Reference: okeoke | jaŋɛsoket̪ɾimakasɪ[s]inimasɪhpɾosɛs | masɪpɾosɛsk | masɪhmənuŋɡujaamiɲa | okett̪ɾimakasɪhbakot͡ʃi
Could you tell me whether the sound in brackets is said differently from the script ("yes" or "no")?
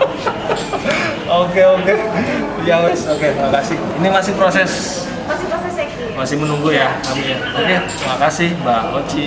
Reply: yes